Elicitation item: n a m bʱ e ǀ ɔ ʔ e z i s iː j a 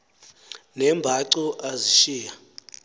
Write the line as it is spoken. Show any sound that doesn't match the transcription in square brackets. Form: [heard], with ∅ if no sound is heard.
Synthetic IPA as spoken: n [ɛ] m bʱ [a] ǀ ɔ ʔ [a] z i [ʃ] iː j a